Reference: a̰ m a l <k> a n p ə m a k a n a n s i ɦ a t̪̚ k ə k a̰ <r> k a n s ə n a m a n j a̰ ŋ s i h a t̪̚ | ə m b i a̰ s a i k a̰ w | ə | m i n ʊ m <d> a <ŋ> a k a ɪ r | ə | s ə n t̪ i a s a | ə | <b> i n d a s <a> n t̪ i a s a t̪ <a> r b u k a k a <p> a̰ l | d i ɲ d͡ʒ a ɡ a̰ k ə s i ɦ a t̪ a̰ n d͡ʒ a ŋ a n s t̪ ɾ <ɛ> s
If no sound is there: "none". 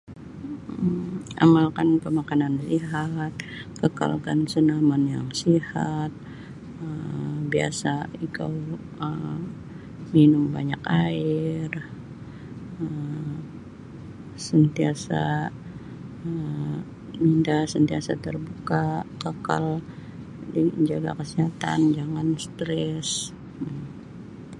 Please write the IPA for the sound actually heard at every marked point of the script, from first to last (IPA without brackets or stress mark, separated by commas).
k, l, b, ɲ, m, ə, ə, k, ɛ